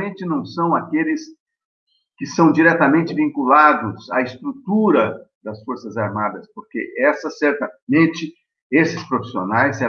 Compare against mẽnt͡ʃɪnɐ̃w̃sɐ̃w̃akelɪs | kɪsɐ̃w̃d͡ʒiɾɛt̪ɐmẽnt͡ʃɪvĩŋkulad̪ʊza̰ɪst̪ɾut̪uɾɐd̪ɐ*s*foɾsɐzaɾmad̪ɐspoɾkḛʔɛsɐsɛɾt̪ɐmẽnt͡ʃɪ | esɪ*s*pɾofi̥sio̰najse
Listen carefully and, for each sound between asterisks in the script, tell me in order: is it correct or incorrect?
correct, correct

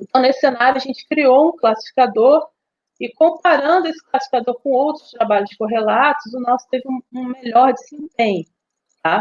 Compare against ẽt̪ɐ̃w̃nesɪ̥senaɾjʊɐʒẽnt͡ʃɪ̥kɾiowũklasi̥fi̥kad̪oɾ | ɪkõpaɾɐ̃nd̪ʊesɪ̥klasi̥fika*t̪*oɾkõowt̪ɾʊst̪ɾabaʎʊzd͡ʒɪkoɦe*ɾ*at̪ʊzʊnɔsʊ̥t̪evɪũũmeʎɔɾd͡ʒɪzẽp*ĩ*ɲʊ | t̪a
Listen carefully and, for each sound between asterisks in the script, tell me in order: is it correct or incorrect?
incorrect: d̪, incorrect: l, incorrect: ẽ

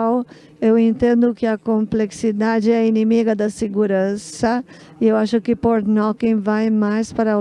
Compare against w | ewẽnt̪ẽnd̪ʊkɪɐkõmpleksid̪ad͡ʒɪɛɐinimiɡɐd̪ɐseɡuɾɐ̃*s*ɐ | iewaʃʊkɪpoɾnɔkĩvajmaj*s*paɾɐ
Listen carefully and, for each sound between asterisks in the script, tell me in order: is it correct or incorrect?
correct, correct

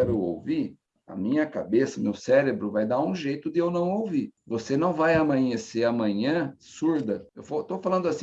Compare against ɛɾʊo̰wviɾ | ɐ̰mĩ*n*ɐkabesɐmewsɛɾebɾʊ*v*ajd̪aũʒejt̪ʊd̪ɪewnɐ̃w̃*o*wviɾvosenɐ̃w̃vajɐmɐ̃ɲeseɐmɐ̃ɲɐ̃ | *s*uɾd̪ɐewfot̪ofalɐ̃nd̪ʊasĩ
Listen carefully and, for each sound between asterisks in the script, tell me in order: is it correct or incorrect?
incorrect: ɲ, correct, correct, correct

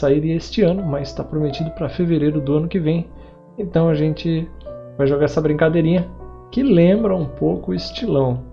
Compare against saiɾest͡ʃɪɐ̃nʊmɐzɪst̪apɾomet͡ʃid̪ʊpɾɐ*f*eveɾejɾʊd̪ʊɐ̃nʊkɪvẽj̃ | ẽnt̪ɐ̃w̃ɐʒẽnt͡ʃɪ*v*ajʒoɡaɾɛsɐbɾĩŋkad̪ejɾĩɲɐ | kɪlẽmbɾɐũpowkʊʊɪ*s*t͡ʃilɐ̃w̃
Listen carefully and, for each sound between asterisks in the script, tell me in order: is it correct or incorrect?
correct, correct, correct

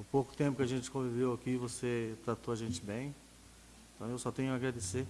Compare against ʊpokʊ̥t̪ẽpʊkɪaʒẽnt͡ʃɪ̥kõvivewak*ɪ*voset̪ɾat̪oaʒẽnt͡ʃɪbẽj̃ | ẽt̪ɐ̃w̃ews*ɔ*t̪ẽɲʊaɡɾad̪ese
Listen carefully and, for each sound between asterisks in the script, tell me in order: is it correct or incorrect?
incorrect: i, correct

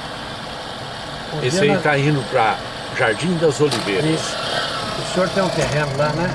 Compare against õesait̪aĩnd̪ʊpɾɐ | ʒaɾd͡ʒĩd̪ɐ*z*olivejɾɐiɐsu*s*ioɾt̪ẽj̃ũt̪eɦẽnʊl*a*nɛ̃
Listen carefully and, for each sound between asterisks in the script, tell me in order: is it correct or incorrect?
correct, correct, correct

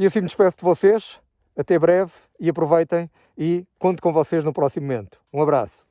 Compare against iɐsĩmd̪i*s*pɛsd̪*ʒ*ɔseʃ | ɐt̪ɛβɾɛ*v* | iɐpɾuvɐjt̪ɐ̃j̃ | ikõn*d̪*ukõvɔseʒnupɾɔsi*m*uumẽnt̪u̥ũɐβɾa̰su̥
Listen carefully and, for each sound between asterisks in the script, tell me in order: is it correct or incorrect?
incorrect: ʃ, incorrect: v, correct, incorrect: t̪, correct

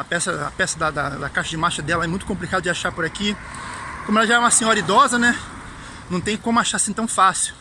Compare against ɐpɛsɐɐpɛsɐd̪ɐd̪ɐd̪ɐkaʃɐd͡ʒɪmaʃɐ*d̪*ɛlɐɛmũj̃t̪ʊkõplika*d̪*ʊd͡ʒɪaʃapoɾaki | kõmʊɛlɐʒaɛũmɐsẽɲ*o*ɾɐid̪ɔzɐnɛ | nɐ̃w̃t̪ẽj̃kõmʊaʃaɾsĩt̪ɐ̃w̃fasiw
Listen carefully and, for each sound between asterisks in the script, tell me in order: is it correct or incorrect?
correct, correct, incorrect: ɔ

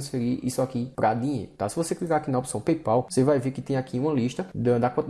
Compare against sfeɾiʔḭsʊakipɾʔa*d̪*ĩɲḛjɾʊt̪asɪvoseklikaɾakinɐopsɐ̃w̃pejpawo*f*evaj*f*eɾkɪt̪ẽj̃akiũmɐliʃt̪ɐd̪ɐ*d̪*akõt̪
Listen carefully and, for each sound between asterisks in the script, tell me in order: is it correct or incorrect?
correct, incorrect: s, incorrect: v, correct

